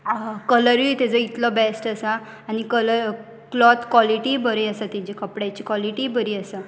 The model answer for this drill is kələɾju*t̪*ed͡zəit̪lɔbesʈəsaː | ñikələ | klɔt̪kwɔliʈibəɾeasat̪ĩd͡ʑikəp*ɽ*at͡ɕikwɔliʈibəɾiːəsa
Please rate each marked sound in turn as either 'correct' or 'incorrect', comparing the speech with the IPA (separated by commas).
correct, correct